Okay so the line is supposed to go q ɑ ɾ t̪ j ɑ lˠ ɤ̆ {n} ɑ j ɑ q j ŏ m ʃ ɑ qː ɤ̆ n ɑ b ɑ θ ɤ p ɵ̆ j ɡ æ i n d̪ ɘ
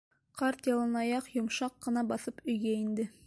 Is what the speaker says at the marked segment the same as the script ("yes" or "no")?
yes